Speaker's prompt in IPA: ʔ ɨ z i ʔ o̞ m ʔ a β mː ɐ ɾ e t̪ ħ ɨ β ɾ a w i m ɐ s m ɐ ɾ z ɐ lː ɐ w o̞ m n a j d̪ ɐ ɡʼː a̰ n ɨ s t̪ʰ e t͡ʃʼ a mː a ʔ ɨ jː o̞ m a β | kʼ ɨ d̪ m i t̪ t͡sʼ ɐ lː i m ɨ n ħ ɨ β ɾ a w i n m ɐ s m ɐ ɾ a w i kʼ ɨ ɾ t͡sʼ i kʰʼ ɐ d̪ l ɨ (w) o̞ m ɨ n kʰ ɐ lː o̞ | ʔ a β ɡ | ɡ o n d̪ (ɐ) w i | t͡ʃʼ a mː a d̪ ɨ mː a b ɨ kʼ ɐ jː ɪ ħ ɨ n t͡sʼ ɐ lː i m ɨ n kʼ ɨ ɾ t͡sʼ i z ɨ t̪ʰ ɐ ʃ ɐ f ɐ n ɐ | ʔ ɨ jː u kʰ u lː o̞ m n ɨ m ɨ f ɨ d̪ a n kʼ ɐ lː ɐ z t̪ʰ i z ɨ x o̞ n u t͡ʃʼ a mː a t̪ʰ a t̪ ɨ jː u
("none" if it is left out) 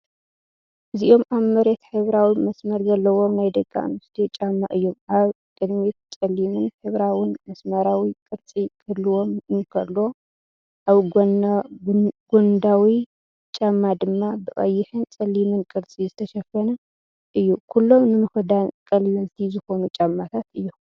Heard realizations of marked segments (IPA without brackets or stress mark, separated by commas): w, a